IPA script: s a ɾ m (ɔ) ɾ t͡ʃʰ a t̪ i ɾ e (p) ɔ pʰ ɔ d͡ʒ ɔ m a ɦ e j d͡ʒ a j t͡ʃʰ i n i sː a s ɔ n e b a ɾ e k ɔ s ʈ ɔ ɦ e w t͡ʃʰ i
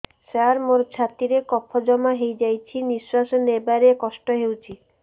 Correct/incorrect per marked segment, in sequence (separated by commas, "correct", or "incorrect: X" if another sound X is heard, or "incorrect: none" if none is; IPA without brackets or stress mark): incorrect: o, incorrect: k